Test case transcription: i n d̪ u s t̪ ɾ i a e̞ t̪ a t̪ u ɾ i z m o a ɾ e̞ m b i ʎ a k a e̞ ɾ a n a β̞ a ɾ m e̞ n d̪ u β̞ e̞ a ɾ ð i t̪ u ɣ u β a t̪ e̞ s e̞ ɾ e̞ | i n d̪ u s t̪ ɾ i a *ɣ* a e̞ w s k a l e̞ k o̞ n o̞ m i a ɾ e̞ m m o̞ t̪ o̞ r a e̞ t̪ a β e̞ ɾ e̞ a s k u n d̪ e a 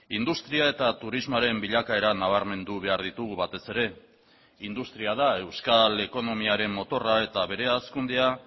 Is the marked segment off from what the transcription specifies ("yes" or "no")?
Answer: yes